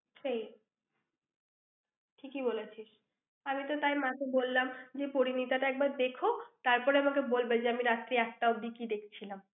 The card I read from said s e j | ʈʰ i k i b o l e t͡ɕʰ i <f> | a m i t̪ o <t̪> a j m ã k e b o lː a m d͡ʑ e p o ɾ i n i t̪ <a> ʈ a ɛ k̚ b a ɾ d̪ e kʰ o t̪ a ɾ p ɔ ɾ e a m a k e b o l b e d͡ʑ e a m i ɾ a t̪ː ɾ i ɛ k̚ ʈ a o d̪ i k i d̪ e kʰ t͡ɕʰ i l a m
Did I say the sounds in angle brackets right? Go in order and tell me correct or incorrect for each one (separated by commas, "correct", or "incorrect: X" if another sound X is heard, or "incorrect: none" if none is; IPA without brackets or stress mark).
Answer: incorrect: ʃ, correct, correct